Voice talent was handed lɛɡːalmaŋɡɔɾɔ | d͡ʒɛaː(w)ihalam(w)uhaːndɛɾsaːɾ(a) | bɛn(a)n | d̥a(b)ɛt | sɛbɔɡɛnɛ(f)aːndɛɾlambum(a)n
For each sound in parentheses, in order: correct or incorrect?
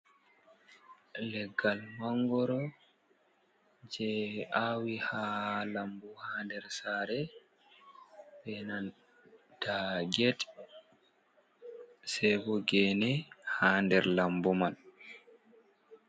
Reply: correct, incorrect, incorrect, correct, incorrect, incorrect, correct

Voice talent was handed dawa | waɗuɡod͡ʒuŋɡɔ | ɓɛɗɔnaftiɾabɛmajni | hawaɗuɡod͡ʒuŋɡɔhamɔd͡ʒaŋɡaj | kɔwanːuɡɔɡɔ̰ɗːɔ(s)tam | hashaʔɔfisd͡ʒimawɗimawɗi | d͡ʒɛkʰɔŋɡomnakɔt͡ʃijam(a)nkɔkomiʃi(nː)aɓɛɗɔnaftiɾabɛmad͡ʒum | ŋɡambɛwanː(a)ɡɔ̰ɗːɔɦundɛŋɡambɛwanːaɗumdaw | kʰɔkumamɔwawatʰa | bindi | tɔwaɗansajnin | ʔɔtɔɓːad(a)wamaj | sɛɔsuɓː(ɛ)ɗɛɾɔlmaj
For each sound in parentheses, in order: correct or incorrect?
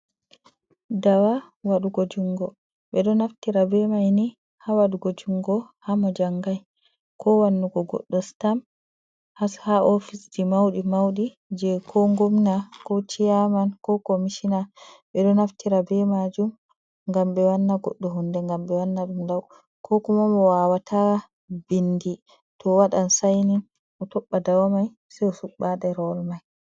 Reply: correct, correct, incorrect, correct, correct, incorrect

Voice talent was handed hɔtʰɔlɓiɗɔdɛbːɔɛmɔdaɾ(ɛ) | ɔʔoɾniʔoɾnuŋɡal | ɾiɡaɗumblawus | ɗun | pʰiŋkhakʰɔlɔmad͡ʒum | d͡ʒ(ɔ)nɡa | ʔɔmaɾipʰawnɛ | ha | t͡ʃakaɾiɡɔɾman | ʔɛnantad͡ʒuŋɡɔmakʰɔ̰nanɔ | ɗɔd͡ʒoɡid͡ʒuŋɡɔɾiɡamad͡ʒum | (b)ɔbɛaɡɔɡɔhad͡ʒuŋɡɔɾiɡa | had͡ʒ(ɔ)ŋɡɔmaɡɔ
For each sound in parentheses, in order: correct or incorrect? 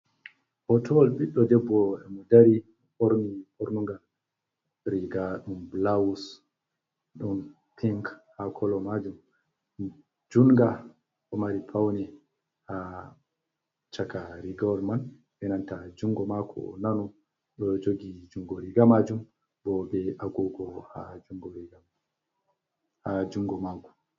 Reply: incorrect, incorrect, correct, incorrect

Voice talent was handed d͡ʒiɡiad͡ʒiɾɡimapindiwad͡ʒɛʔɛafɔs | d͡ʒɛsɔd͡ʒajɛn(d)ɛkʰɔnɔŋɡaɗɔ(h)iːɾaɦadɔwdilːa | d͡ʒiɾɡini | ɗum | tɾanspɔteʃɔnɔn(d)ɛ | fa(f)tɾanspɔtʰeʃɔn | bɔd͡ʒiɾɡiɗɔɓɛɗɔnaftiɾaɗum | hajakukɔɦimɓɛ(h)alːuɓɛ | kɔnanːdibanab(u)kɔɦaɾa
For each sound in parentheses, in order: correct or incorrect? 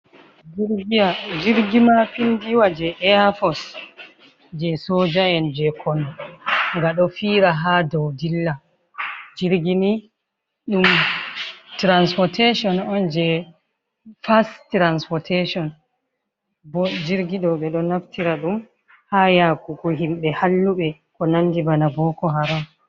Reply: incorrect, incorrect, incorrect, incorrect, correct, incorrect

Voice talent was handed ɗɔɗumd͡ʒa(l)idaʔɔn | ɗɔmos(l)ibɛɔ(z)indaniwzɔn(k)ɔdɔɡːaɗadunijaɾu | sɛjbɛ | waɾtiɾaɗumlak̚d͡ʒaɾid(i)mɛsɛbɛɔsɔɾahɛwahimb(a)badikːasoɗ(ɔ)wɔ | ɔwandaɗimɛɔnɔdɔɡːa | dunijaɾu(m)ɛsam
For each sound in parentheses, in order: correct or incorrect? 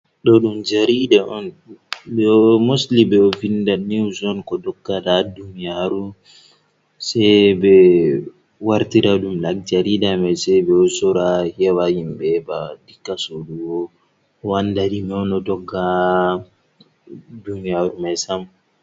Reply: incorrect, correct, incorrect, correct, incorrect, incorrect, incorrect, correct

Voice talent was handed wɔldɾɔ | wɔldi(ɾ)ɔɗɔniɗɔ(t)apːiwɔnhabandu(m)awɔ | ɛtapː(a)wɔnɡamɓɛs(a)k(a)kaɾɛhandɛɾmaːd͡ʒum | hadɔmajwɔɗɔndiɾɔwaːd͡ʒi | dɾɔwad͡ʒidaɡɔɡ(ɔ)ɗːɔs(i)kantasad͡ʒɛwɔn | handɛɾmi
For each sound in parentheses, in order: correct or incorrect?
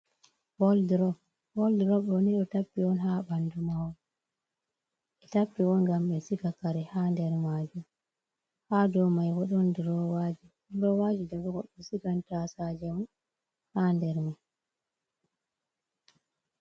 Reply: correct, correct, correct, incorrect, incorrect, correct, correct, correct

